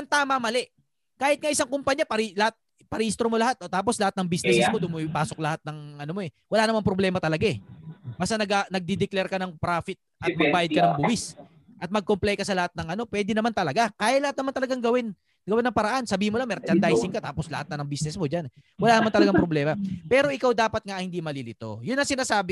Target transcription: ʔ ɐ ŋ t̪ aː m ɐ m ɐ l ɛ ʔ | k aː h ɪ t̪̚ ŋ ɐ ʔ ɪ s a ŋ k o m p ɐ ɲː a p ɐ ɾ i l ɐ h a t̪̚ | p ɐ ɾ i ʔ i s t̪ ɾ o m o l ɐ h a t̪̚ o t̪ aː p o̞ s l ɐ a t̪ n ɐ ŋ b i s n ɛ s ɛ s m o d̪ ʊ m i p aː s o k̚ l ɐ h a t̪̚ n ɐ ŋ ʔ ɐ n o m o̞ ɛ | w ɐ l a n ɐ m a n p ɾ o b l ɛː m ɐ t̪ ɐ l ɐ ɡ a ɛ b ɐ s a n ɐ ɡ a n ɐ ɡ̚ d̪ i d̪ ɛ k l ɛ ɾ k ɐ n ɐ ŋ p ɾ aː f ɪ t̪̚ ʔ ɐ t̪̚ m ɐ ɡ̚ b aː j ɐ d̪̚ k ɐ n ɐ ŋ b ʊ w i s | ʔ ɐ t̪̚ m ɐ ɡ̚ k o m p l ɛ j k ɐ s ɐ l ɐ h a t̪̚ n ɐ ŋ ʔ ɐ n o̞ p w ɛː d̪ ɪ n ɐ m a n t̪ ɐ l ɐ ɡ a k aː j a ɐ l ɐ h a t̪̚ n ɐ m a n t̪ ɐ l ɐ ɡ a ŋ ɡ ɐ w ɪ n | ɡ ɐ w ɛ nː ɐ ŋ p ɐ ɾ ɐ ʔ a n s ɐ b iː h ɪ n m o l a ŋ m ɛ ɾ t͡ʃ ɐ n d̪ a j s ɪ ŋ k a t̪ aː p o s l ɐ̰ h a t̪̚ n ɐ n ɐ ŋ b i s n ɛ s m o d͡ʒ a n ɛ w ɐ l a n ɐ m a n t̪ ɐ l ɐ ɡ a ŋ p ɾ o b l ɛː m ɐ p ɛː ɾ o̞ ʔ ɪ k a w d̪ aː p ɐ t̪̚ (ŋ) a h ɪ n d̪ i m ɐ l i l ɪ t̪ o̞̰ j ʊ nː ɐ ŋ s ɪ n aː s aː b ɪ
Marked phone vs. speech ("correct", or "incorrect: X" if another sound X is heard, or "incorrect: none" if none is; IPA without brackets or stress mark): correct